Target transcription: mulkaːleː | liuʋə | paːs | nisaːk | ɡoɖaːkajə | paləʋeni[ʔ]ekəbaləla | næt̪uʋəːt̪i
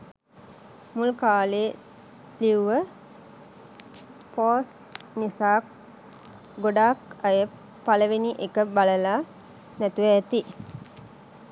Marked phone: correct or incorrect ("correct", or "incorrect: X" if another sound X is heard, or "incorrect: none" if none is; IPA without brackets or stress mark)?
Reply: correct